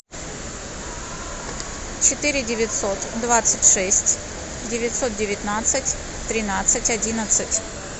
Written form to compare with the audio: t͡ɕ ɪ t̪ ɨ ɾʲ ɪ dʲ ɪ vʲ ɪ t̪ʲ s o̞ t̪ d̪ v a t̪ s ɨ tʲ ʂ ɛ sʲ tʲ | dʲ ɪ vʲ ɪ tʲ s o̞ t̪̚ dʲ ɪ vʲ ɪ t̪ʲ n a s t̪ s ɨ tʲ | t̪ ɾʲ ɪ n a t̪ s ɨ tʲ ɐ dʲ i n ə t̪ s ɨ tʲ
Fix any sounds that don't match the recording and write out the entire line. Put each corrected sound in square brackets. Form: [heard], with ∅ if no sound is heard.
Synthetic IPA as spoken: t͡ɕ ɪ t̪ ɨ ɾʲ ɪ dʲ ɪ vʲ ɪ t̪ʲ s o̞ t̪ d̪ v a t̪ s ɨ tʲ ʂ ɛ sʲ tʲ | dʲ ɪ vʲ ɪ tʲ s o̞ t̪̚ dʲ ɪ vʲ ɪ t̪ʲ n a [∅] t̪ s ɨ tʲ | t̪ ɾʲ ɪ n a t̪ s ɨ tʲ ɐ dʲ i n ə t̪ s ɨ tʲ